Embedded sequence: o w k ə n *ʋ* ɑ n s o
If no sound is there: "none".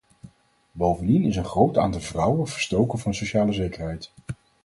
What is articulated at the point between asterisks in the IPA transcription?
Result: v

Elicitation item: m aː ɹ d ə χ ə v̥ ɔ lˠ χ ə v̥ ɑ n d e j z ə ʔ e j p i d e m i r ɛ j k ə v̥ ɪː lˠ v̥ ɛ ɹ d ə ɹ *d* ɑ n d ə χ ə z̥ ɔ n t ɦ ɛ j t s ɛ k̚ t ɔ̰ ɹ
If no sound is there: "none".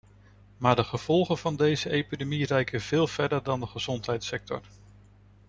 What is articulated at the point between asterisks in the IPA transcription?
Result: d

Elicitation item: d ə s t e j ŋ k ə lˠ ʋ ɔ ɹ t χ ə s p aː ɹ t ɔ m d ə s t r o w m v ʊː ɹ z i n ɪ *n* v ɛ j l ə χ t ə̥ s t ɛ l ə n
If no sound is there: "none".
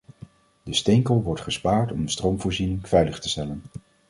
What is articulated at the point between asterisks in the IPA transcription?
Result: ŋ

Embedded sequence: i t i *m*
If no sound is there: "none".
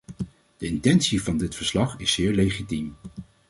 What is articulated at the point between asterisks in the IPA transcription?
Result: m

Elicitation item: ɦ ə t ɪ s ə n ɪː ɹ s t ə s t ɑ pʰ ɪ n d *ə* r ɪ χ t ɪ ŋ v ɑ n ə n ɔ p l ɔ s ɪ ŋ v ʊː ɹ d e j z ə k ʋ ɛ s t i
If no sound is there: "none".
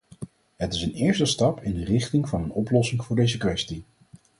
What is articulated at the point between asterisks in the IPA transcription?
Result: ə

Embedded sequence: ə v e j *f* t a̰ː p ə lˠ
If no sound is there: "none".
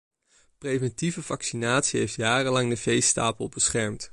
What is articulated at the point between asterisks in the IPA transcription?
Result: s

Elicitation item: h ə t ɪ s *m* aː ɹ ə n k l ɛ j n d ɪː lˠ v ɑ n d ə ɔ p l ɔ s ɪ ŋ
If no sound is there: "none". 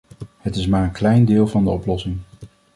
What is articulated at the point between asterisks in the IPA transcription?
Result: m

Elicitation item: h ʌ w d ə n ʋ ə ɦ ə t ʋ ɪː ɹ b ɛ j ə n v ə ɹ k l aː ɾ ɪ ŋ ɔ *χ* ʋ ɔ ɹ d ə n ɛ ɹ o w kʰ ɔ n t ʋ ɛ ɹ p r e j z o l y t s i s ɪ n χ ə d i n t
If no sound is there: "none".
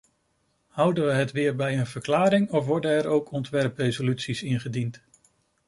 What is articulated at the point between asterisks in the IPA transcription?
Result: f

